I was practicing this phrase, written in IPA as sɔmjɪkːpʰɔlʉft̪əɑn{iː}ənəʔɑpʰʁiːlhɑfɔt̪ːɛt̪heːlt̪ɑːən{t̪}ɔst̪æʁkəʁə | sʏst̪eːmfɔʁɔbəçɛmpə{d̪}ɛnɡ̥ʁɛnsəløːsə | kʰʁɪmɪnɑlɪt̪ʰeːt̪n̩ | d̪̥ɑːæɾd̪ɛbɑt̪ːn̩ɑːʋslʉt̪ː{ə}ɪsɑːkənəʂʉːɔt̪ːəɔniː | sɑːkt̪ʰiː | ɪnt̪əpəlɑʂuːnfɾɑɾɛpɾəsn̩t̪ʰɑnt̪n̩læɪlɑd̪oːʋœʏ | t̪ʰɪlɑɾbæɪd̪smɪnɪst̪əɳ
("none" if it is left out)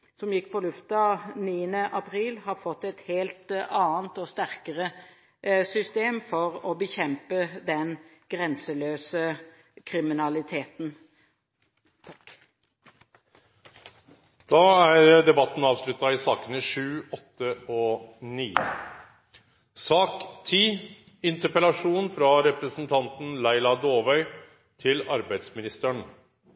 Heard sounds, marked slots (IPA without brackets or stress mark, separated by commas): iː, t̪, d̪, ɑ